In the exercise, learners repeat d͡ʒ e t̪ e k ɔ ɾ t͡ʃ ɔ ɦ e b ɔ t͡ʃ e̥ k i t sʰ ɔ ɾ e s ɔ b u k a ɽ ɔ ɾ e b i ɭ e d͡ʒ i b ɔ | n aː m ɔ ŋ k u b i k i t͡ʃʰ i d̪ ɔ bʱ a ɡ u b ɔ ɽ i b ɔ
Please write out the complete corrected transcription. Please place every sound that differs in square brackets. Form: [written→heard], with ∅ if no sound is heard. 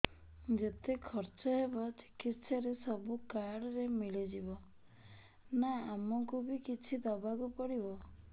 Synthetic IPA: d͡ʒ e t̪ e [k→kʰ] ɔ ɾ t͡ʃ ɔ ɦ e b ɔ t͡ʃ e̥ k i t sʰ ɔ ɾ e s ɔ b u k a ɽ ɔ ɾ e [b→m] i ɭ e d͡ʒ i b ɔ | n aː m ɔ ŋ k u b i k i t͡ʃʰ i d̪ ɔ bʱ a ɡ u [b→p] ɔ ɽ i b ɔ